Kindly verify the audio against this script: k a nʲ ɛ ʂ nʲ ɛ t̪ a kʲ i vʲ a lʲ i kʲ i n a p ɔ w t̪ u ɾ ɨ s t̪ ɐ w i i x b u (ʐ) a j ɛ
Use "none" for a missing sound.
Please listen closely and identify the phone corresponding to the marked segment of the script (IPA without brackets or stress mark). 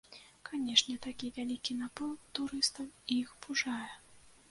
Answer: ʐ